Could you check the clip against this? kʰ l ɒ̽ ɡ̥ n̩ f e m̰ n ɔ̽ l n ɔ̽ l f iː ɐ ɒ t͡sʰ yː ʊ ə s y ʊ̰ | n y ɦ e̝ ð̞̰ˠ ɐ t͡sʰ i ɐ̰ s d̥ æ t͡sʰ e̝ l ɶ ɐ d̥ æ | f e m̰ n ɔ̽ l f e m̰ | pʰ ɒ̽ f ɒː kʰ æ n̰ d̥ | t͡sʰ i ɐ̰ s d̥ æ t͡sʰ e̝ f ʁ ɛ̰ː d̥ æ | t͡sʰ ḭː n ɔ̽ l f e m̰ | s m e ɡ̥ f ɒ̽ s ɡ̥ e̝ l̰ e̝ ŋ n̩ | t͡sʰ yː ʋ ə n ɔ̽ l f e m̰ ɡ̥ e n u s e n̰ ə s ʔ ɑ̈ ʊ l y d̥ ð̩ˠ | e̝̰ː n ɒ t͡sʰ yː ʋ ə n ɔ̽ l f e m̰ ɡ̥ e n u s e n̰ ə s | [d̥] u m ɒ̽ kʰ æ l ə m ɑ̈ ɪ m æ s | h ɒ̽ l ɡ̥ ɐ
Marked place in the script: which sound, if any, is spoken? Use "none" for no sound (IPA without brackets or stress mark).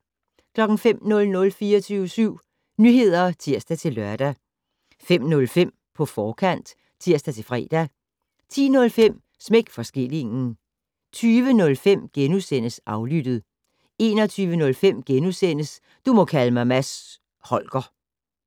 d̥